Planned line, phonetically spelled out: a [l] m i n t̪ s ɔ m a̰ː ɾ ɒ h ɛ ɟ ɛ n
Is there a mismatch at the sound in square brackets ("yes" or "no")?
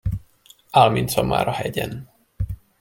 no